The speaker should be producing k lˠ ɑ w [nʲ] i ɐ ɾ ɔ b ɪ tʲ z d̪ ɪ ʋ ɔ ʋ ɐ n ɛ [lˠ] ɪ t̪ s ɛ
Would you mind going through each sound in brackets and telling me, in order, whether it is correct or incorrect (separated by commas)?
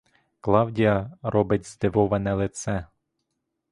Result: incorrect, correct